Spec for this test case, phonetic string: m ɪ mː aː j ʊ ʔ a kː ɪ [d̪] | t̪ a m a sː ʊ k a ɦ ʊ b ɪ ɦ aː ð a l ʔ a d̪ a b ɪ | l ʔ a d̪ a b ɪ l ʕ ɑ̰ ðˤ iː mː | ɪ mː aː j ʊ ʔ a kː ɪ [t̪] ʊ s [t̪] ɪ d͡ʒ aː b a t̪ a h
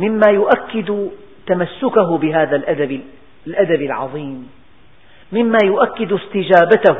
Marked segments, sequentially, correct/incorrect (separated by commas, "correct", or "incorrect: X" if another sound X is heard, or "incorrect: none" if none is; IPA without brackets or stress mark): correct, incorrect: d̪, correct